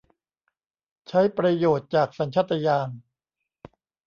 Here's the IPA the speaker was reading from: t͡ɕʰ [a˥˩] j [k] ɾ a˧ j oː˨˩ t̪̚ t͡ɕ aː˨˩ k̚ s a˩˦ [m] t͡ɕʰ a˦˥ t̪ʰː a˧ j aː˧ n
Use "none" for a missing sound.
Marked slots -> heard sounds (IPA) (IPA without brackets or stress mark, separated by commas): a˦˥, p, n